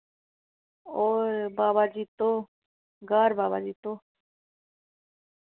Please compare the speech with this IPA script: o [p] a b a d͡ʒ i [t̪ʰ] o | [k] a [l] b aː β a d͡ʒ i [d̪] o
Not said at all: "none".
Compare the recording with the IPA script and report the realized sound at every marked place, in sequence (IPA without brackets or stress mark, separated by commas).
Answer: b, t̪, ɡ, ɾ, t̪